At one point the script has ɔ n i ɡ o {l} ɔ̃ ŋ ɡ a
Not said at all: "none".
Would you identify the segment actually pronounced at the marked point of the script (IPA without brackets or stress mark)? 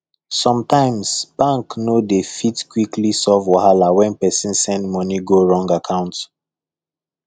ɹ